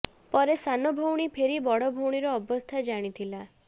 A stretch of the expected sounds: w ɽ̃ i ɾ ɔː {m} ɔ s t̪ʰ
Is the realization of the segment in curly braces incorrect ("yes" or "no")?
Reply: yes